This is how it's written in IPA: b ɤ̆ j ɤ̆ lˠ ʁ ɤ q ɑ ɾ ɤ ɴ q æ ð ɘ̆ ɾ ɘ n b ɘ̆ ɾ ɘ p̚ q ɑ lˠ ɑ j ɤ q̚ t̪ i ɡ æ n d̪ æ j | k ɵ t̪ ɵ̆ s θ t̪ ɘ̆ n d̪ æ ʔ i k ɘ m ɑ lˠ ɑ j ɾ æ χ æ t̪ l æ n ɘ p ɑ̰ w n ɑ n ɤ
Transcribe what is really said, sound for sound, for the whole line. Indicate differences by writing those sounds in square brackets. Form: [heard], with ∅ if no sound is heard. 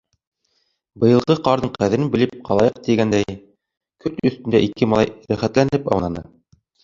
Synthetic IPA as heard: b ɤ̆ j ɤ̆ lˠ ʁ ɤ q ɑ ɾ ɤ ɴ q æ ð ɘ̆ ɾ ɘ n b ɘ̆ [l] ɘ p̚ q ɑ lˠ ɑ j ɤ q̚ t̪ i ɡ æ n d̪ æ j | k ɵ t̪ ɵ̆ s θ t̪ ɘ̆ n d̪ æ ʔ i k ɘ m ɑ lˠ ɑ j ɾ æ χ æ t̪ l æ n ɘ p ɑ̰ w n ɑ n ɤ

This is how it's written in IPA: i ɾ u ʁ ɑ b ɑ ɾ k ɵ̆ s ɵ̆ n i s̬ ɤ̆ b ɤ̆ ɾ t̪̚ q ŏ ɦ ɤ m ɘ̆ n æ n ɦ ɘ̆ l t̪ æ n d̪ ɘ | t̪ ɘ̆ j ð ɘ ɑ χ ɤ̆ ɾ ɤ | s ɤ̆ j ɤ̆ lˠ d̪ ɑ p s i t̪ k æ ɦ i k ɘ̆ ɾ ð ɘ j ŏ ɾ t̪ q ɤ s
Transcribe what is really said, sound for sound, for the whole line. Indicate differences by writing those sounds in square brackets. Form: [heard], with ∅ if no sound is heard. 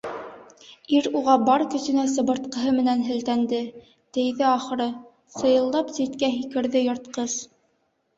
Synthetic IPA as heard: i ɾ u ʁ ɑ b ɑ ɾ k ɵ̆ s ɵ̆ n [æ] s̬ ɤ̆ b ɤ̆ ɾ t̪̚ q [ɤ̆] ɦ ɤ m ɘ̆ n æ n ɦ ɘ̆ l t̪ æ n d̪ ɘ | t̪ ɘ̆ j ð ɘ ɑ χ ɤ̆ ɾ ɤ | s ɤ̆ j ɤ̆ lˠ d̪ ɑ p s i t̪ k æ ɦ i k ɘ̆ ɾ ð ɘ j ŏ ɾ t̪ q ɤ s

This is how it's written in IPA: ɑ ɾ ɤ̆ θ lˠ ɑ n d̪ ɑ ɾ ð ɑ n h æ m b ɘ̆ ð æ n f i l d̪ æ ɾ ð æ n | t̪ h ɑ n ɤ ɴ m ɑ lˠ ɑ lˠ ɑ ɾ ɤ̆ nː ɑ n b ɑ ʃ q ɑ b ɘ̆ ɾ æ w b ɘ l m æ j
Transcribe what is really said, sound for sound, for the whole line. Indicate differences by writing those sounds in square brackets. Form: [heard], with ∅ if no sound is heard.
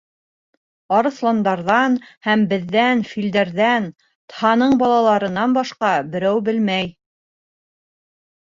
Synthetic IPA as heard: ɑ ɾ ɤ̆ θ lˠ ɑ n d̪ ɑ ɾ ð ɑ n h æ m b ɘ̆ [ðː] æ n f i l d̪ æ ɾ ð æ n | t̪ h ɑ n ɤ ɴ [b] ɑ lˠ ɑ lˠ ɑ ɾ ɤ̆ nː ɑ n b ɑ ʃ q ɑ b ɘ̆ ɾ æ w b ɘ l m æ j

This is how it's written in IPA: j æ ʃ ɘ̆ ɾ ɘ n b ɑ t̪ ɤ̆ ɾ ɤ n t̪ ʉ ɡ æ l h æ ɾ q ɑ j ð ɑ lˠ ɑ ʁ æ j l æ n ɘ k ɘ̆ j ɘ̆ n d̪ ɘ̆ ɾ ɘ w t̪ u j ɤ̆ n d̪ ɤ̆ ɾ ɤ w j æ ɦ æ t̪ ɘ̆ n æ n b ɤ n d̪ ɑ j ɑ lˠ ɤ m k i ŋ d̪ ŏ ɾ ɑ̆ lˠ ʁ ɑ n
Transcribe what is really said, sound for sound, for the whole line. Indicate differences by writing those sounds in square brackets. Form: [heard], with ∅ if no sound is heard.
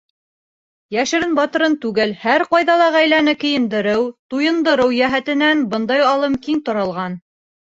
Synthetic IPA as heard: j æ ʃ ɘ̆ ɾ ɘ n b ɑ t̪ ɤ̆ ɾ ɤ n t̪ ʉ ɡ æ l h æ ɾ q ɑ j ð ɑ lˠ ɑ ʁ æ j l æ n ɘ k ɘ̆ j ɘ̆ n d̪ ɘ̆ ɾ ɘ w t̪ u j ɤ̆ n d̪ ɤ̆ ɾ ɤ w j æ ɦ æ t̪ ɘ̆ n æ n b ɤ n d̪ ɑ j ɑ lˠ ɤ m k i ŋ [t̪] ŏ ɾ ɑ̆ lˠ ʁ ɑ n

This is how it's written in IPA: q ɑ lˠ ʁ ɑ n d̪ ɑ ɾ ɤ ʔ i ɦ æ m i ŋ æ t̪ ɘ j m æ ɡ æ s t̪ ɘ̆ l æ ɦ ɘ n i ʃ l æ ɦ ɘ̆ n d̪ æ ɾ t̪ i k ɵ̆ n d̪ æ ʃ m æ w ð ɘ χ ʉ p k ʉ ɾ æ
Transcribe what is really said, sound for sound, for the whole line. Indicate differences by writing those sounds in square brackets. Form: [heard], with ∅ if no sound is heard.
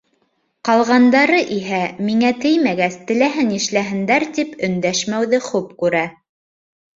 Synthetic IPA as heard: q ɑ lˠ ʁ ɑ n d̪ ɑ ɾ ɤ ʔ i ɦ æ m i ŋ æ t̪ ɘ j m æ ɡ æ s t̪ ɘ̆ l æ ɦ ɘ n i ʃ l æ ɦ ɘ̆ n d̪ æ ɾ t̪ i [p] ɵ̆ n d̪ æ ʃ m æ w ð ɘ χ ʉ p k ʉ ɾ æ

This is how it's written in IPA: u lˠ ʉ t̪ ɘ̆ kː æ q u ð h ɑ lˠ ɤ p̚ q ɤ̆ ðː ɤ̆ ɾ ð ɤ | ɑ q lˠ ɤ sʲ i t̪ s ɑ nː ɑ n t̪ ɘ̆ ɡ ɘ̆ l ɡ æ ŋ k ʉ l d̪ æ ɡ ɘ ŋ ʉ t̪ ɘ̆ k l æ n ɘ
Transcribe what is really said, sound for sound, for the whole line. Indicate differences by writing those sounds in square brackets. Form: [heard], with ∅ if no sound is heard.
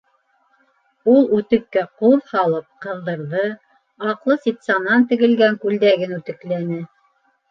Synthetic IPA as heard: u lˠ ʉ t̪ ɘ̆ kː æ q u ð h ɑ lˠ ɤ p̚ q ɤ̆ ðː ɤ̆ ɾ ð ɤ | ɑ q lˠ ɤ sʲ i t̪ s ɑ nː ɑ n t̪ ɘ̆ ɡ ɘ̆ l ɡ æ ŋ k ʉ l d̪ æ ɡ ɘ [n] ʉ t̪ ɘ̆ k l æ n ɘ

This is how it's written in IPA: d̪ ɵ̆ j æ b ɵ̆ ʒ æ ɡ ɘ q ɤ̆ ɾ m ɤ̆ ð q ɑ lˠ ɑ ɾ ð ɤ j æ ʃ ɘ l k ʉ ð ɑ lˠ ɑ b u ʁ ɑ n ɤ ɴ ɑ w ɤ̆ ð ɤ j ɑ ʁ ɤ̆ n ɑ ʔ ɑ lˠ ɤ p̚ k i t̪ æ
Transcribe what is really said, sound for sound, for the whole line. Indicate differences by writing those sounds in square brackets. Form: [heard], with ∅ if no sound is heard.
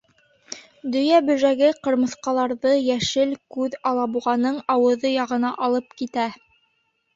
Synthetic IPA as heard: d̪ ɵ̆ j æ b ɵ̆ ʒ æ ɡ ɘ q ɤ̆ ɾ m ɤ̆ [θ] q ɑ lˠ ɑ ɾ ð ɤ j æ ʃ ɘ l k ʉ ð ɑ lˠ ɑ b u ʁ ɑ n ɤ ɴ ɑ w ɤ̆ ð ɤ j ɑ ʁ ɤ̆ n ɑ ʔ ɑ lˠ ɤ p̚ k i t̪ æ

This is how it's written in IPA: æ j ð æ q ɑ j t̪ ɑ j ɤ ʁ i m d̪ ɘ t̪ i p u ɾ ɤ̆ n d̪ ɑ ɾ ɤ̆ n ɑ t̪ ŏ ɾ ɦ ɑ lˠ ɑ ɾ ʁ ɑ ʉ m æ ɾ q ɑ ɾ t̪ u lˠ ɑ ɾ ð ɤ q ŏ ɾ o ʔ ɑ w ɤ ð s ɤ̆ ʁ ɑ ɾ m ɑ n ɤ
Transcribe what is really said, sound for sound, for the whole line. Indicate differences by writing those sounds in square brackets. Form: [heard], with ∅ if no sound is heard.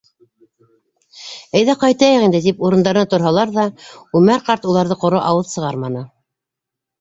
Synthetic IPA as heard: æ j ð æ q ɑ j t̪ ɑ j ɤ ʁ i [n] d̪ ɘ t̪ i p u ɾ ɤ̆ n d̪ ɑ ɾ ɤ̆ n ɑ t̪ ŏ ɾ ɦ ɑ lˠ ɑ ɾ [ð] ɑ ʉ m æ ɾ q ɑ ɾ t̪ u lˠ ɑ ɾ ð ɤ q ŏ ɾ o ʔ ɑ w ɤ ð s ɤ̆ ʁ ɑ ɾ m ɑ n ɤ

